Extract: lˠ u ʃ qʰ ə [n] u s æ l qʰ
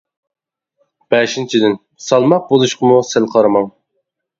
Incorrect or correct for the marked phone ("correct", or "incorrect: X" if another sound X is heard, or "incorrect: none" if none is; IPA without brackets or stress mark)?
incorrect: m